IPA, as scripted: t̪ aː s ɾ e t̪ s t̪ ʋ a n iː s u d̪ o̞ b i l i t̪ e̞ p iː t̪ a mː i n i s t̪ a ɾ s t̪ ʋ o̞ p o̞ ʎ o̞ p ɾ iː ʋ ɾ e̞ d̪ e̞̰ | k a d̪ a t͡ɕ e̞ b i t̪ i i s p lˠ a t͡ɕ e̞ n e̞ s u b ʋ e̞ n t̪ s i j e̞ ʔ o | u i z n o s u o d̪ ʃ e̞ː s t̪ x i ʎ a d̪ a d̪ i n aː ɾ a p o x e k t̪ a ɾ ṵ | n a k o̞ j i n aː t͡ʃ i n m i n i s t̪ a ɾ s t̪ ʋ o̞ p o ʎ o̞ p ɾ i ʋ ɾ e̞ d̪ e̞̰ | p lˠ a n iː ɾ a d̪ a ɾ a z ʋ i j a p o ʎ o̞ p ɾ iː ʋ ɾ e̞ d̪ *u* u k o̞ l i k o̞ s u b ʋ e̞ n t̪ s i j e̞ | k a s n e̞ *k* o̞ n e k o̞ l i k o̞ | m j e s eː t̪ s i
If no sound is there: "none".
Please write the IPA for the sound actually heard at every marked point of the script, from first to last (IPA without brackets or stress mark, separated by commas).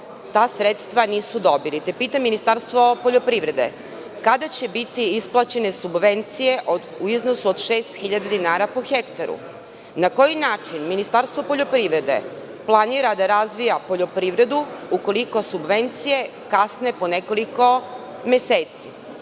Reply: u, p